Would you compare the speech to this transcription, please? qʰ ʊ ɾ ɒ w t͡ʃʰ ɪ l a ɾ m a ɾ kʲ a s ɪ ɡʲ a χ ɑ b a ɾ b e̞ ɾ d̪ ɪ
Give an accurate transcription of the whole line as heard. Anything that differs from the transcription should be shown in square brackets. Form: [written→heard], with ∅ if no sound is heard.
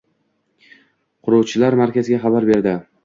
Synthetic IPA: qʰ ʊ ɾ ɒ w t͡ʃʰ ɪ l a ɾ m a ɾ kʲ a [s→z] ɪ ɡʲ a χ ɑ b a ɾ b e̞ ɾ d̪ ɪ